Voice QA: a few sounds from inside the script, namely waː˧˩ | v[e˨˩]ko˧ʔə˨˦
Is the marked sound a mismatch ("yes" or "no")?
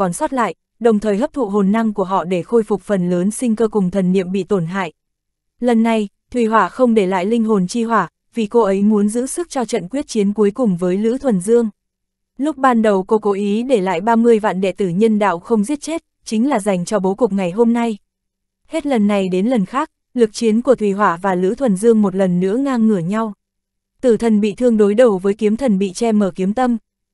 yes